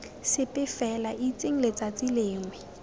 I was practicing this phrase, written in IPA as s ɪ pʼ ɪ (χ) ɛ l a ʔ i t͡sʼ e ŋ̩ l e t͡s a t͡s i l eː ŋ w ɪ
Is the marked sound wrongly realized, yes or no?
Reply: yes